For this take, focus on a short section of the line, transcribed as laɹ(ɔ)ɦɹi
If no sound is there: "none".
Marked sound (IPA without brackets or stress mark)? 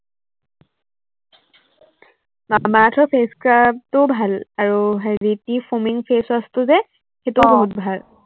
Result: u